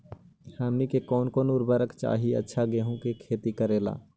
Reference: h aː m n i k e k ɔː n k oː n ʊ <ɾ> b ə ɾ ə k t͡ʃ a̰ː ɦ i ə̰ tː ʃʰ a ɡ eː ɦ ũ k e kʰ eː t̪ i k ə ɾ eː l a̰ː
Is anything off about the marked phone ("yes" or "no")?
no